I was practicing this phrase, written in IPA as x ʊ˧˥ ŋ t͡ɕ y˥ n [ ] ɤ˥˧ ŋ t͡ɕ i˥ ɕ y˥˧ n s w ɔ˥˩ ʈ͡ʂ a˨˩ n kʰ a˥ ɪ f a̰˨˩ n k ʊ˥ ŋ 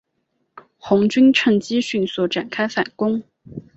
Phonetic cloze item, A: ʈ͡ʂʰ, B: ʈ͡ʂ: A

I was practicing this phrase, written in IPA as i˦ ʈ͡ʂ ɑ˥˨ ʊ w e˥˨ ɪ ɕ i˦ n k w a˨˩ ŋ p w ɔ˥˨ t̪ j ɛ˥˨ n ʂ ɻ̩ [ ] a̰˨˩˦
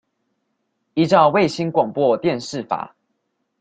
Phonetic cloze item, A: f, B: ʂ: A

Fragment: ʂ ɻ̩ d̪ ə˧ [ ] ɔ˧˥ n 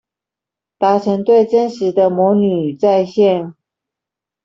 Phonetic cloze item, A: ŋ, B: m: B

